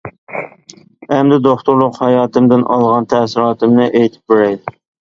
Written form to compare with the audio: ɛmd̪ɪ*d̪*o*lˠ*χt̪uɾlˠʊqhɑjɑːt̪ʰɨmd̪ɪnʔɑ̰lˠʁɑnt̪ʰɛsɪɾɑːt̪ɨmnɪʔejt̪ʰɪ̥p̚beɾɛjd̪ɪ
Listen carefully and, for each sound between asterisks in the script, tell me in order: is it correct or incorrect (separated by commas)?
correct, incorrect